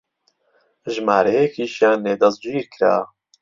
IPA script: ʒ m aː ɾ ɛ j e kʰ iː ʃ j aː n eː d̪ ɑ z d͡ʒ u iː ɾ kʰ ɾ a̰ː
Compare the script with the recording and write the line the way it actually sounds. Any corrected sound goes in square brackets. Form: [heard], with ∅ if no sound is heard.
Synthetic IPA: ʒ m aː ɾ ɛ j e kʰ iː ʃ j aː n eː d̪ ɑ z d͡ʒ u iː ɾ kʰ ɾ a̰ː